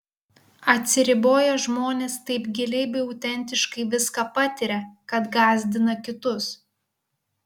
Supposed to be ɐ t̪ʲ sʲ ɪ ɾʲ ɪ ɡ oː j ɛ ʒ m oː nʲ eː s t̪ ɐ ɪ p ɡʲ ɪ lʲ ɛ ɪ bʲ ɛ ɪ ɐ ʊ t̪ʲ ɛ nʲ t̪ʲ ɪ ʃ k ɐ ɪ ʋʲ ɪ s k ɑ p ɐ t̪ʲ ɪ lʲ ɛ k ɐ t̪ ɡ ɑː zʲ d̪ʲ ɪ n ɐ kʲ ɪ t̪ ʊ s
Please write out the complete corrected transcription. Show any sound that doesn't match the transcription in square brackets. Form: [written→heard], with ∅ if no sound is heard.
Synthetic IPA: ɐ t̪ʲ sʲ ɪ ɾʲ ɪ [ɡ→b] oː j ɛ ʒ m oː nʲ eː s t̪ ɐ ɪ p ɡʲ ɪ lʲ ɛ ɪ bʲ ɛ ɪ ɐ ʊ t̪ʲ ɛ nʲ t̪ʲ ɪ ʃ k ɐ ɪ ʋʲ ɪ s k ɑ p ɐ t̪ʲ ɪ [lʲ→ɾʲ] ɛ k ɐ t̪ ɡ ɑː zʲ d̪ʲ ɪ n ɐ kʲ ɪ t̪ ʊ s

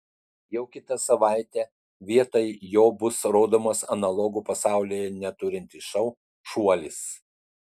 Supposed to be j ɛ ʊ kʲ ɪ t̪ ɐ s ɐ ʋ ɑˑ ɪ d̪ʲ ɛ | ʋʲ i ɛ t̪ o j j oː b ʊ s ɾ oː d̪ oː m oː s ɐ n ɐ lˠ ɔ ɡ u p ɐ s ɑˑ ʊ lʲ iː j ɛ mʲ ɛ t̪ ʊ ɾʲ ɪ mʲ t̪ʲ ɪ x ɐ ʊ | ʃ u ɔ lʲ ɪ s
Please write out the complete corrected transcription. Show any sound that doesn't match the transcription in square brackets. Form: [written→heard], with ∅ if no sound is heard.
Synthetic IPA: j ɛ ʊ kʲ ɪ t̪ ɐ s ɐ ʋ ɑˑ ɪ [d̪ʲ→t̪ʲ] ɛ | ʋʲ i ɛ t̪ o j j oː b ʊ s ɾ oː d̪ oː m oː s ɐ n ɐ lˠ ɔ ɡ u p ɐ s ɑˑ ʊ lʲ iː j ɛ [mʲ→nʲ] ɛ t̪ ʊ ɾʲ ɪ [mʲ→nʲ] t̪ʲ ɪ [x→ʃ] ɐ ʊ | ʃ u ɔ lʲ ɪ s

